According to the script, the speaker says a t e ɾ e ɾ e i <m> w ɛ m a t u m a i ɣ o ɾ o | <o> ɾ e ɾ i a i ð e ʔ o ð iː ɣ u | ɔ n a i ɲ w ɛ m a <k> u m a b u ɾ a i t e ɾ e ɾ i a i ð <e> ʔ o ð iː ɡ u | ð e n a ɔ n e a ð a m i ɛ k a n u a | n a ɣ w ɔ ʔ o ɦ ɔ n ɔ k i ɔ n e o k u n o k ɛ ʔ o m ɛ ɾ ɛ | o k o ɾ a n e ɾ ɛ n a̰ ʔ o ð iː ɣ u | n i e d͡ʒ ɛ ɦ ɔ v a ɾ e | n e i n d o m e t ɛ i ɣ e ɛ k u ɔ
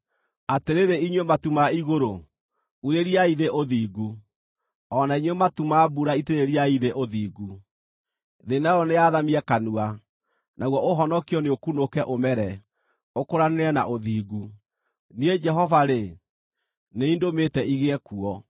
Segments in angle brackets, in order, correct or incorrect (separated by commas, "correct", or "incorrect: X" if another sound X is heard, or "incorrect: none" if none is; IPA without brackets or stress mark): incorrect: ɲ, incorrect: u, incorrect: t, correct